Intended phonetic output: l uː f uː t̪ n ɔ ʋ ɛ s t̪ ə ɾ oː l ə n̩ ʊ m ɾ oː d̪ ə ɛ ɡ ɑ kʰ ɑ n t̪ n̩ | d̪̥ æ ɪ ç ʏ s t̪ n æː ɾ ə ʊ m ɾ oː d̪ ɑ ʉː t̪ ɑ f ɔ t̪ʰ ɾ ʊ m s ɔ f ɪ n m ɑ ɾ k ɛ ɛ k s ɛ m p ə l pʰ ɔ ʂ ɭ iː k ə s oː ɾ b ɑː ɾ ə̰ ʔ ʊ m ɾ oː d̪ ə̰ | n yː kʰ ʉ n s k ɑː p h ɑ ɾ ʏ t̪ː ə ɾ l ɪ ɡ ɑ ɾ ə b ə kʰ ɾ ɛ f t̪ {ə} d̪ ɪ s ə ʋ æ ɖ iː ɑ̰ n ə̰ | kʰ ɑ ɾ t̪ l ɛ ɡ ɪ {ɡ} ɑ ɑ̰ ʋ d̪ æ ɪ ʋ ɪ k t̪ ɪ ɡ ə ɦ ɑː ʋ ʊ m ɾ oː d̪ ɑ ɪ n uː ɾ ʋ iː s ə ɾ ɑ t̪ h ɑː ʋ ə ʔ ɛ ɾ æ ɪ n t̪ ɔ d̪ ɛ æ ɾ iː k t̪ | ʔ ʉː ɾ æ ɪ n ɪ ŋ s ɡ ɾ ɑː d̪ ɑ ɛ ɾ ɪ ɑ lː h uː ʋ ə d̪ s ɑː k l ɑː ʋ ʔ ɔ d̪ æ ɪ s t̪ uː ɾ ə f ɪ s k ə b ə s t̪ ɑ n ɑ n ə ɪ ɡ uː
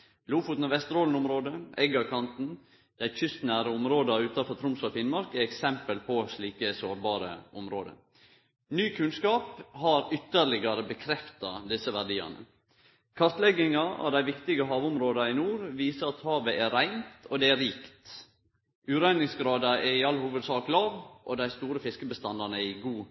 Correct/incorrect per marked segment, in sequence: incorrect: ɑ, incorrect: ŋ

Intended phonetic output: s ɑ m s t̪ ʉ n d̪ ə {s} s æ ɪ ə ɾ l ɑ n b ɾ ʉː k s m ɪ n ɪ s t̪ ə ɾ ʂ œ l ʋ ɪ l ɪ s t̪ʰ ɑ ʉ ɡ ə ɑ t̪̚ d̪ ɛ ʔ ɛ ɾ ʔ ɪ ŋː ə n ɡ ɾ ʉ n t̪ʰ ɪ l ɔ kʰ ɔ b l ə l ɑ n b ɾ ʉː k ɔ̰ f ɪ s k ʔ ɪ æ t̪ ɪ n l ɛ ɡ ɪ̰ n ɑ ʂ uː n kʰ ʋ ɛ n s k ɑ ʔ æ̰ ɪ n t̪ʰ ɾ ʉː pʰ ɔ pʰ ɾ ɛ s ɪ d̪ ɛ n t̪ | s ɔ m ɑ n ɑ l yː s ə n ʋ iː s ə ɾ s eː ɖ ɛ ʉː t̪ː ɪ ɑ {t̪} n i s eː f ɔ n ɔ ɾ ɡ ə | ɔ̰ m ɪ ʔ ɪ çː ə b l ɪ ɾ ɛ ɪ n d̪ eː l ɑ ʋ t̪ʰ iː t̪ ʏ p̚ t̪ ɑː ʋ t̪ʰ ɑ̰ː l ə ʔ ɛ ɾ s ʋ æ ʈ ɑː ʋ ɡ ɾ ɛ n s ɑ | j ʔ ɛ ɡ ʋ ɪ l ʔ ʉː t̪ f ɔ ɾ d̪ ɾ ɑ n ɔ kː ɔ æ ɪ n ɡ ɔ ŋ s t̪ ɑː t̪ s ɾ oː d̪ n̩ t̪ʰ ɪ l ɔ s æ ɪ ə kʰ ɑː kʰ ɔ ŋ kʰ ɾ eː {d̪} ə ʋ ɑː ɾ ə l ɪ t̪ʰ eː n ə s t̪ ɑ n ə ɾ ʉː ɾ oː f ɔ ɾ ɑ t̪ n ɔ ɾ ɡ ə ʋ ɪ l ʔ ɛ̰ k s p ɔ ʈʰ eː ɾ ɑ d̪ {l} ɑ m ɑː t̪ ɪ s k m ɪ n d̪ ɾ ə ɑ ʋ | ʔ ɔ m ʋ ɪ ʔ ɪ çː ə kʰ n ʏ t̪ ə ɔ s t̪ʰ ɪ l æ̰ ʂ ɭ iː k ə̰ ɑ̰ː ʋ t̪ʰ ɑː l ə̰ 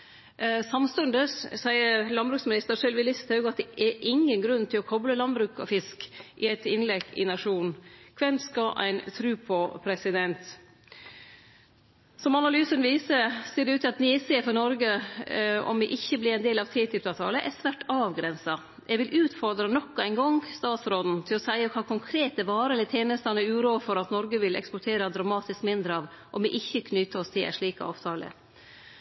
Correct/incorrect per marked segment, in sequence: correct, correct, incorrect: t̪, incorrect: ɾ

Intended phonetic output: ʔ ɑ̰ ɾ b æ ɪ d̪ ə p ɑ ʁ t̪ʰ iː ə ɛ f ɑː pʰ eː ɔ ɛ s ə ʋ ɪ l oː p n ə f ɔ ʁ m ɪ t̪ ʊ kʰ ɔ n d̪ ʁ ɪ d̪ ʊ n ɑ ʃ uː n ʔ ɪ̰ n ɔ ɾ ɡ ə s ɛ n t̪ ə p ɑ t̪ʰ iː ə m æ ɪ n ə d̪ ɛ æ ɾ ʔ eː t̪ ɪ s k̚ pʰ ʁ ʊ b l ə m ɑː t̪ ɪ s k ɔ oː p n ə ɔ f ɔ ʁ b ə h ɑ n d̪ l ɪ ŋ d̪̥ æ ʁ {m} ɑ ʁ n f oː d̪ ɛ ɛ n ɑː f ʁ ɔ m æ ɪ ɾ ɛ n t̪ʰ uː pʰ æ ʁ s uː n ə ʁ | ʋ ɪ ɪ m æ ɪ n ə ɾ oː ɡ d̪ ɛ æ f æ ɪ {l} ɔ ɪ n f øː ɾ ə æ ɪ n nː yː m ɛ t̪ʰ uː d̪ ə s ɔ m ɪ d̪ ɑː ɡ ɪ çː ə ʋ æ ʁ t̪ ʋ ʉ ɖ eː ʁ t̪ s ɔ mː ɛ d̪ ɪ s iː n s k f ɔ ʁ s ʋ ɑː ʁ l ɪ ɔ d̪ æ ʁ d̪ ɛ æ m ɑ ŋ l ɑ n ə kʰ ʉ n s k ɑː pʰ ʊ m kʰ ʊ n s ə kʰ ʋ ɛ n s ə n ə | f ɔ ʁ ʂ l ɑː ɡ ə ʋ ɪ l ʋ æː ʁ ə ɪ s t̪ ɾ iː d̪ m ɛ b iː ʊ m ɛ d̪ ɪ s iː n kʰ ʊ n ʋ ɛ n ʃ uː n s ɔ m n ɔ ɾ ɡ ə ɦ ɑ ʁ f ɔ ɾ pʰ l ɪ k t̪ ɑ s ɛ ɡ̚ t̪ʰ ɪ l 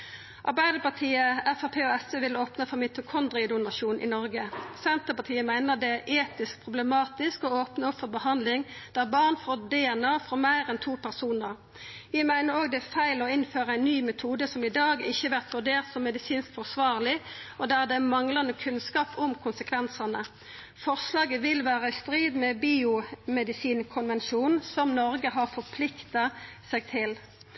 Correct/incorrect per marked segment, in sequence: incorrect: b, correct

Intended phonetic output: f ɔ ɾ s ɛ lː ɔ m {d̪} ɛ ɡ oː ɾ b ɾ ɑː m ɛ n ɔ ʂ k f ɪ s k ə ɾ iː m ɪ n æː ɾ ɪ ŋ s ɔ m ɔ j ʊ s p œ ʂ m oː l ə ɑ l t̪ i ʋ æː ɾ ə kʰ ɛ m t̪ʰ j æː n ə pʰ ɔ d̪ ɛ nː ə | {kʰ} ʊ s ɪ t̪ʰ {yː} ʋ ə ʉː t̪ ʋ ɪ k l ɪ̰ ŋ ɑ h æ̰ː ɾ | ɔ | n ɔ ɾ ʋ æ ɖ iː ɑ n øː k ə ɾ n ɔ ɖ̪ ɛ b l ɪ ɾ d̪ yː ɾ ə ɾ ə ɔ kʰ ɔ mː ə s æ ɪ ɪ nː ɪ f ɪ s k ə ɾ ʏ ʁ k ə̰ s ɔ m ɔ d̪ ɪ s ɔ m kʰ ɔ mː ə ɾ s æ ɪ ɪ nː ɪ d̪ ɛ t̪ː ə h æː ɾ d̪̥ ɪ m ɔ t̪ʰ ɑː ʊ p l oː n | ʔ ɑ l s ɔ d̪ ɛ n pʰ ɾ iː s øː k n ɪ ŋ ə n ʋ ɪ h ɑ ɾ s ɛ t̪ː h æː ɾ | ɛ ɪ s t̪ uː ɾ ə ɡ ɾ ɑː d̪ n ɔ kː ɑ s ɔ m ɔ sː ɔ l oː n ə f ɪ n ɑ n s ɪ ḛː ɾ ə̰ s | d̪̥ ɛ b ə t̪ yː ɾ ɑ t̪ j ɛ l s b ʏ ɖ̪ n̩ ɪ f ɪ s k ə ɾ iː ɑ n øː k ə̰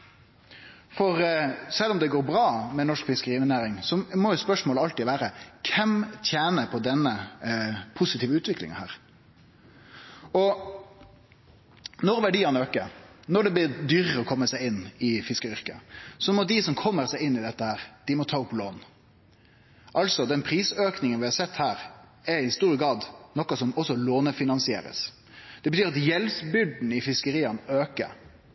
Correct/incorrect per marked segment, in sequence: correct, incorrect: pʰ, incorrect: iː

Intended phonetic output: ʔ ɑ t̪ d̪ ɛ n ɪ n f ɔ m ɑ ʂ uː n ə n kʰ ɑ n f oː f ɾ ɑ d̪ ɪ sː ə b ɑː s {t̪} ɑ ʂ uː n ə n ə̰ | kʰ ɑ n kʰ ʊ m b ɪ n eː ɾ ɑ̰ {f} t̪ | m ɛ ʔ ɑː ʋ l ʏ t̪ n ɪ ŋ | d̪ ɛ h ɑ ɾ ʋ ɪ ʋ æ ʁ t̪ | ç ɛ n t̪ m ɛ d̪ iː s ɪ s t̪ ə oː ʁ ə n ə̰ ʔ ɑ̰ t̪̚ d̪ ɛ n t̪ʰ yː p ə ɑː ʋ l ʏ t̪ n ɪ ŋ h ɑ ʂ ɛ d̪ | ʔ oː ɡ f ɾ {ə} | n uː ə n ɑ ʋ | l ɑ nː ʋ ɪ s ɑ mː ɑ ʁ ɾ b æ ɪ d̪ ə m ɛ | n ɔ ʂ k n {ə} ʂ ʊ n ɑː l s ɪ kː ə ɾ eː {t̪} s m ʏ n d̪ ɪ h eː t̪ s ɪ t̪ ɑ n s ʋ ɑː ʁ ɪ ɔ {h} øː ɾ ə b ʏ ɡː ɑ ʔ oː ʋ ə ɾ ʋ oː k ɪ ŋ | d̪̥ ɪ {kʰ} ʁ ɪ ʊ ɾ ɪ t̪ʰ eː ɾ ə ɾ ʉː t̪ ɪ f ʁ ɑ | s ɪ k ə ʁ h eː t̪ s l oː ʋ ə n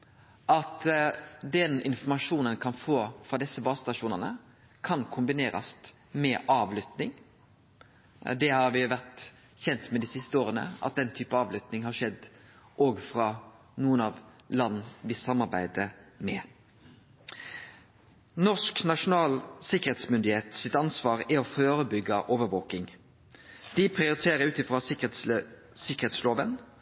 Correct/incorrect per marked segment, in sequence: correct, incorrect: s, incorrect: ɑ, incorrect: ɑ, correct, incorrect: f, incorrect: pʰ

